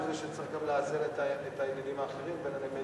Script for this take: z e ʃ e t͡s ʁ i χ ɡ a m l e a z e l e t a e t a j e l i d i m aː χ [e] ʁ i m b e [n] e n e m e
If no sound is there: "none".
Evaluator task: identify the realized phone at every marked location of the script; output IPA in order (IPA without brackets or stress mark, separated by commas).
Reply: e, n